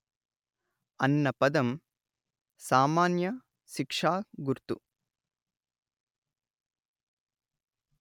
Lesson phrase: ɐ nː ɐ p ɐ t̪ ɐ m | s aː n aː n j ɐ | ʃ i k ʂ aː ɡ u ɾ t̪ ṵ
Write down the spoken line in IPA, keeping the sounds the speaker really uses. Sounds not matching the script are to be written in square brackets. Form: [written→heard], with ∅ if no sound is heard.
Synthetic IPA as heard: ɐ nː ɐ p ɐ [t̪→d̪] ɐ m | s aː [n→m] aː n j ɐ | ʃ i k ʂ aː ɡ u ɾ t̪ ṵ